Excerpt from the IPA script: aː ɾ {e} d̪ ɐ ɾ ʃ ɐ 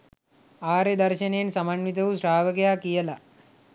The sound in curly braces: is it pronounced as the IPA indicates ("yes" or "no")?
yes